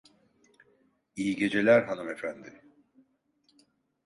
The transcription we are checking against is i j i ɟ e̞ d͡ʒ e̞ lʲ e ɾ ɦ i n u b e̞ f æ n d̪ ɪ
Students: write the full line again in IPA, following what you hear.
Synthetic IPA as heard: i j i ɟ e̞ d͡ʒ e̞ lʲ æ ɾ ɦ a n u m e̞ f æ n d̪ ɪ